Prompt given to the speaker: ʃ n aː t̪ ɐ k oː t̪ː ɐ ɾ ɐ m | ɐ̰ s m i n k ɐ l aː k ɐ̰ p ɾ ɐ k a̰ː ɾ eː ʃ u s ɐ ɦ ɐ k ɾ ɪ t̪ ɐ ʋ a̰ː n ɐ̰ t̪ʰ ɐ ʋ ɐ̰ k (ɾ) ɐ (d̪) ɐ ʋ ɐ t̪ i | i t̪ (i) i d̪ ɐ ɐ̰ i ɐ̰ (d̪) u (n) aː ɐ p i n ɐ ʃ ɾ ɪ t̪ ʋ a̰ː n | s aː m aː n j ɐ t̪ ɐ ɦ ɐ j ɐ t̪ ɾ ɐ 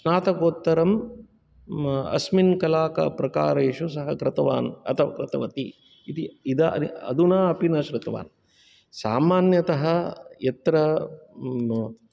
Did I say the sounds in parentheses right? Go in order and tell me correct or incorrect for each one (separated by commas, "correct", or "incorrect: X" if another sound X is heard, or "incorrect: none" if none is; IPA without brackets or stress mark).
correct, incorrect: t̪, correct, correct, correct